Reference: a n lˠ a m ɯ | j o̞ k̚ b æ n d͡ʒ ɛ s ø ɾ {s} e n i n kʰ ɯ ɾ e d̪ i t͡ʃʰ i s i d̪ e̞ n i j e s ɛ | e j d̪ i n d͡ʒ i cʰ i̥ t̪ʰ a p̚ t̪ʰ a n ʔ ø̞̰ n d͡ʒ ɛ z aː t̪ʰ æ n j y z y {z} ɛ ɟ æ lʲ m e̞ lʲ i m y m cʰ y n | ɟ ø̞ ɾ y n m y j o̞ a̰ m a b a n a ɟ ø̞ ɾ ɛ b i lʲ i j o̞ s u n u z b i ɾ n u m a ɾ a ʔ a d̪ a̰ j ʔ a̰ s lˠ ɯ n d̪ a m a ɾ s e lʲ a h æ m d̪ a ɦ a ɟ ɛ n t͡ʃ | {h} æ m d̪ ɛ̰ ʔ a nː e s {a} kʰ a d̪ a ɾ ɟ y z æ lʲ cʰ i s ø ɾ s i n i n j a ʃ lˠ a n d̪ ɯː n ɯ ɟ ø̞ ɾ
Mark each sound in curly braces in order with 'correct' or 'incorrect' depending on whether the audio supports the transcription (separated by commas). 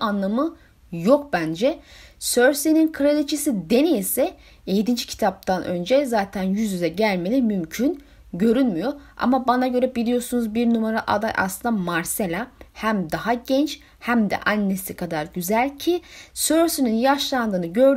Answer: correct, correct, correct, incorrect